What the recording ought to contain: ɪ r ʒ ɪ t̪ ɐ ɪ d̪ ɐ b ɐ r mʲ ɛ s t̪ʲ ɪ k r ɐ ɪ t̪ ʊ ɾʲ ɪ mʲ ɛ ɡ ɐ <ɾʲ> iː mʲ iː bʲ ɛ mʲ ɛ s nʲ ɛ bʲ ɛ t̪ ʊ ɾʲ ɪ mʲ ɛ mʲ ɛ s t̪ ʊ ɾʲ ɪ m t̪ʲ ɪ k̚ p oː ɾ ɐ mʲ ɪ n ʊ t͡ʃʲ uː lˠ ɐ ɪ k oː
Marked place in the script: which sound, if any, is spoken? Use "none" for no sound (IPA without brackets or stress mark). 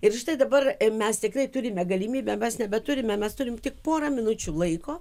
lʲ